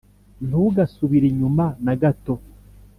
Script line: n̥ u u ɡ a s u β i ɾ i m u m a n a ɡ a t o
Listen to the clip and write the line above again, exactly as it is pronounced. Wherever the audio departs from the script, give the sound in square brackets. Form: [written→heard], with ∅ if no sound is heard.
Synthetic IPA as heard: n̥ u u ɡ a s u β i ɾ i [m→ɲ] u m a n a ɡ a t o